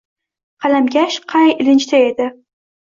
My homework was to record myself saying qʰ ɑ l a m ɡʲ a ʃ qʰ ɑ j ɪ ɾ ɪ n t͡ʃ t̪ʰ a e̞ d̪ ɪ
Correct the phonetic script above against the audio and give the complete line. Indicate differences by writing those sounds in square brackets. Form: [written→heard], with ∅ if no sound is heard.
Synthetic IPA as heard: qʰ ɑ l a m ɡʲ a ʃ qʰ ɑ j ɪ [ɾ→l] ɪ n t͡ʃ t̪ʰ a e̞ d̪ ɪ